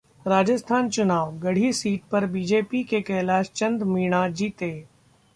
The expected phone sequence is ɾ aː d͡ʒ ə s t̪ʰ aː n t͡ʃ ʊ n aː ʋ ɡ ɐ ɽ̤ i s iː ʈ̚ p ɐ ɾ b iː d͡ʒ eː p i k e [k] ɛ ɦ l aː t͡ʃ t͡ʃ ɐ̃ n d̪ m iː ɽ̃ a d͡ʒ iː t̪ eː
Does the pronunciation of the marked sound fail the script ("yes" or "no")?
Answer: no